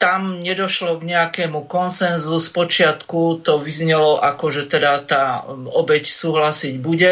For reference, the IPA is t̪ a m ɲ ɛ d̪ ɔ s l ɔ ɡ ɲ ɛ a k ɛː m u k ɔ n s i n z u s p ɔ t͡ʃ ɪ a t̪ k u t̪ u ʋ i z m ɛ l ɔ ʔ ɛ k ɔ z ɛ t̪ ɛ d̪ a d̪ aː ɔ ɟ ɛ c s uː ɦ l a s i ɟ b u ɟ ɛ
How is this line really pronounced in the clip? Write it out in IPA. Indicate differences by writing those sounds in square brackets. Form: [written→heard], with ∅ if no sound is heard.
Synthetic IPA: t̪ a m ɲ ɛ d̪ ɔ [s→ʃ] l ɔ ɡ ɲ ɛ a k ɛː m u k ɔ n s [i→ɛ] n z u s p ɔ t͡ʃ ɪ a t̪ k u t̪ [u→ɔ] ʋ i z [m→ɲ] ɛ l ɔ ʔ [ɛ→a] k ɔ [z→ʒ] ɛ t̪ ɛ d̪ a [d̪→t̪] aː ɔ [ɟ→b] ɛ c s uː ɦ l a s i ɟ b u ɟ ɛ